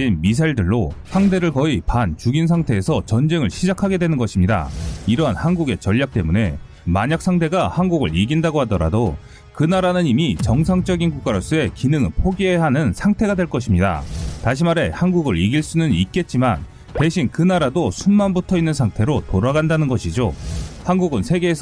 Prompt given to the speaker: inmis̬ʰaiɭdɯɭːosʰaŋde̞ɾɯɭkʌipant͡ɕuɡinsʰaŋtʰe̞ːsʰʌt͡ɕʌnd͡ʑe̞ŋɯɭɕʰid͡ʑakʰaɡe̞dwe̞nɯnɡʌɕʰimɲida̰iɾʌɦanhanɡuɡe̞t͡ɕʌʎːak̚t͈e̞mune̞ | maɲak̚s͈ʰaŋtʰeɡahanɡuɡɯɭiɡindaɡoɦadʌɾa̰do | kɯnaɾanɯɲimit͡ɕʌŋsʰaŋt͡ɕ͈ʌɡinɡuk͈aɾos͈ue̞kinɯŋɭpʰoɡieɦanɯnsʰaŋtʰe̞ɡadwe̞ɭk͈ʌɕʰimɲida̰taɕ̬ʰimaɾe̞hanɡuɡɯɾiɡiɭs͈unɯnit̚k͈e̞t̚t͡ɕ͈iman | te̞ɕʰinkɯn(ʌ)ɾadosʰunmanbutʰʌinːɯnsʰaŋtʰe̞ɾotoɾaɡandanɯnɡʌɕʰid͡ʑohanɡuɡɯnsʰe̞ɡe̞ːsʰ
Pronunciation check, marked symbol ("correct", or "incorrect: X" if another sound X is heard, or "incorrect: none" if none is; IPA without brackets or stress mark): incorrect: a